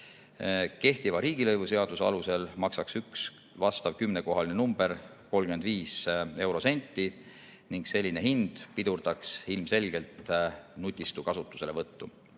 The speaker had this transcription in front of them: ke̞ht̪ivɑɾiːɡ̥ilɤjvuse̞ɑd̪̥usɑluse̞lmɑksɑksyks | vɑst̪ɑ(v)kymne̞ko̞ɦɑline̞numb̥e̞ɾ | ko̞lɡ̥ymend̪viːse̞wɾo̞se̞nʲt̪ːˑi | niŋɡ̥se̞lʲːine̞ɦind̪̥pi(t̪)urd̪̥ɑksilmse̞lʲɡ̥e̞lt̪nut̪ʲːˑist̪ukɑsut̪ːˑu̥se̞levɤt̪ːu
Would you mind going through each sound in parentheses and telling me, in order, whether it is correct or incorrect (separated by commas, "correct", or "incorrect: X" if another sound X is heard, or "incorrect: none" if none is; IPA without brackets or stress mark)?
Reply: correct, incorrect: d̪